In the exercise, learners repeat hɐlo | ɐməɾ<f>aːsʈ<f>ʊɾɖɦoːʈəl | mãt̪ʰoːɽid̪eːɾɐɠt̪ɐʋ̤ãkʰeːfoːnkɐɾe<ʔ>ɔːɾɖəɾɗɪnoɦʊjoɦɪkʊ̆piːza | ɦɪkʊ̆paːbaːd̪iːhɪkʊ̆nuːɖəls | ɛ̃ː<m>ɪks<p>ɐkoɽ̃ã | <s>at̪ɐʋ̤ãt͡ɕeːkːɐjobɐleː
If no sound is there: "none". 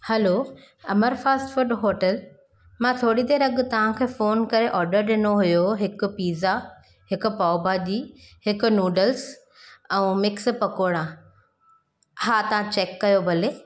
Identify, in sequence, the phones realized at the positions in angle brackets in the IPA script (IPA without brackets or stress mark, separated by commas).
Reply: f, f, ʔ, m, p, h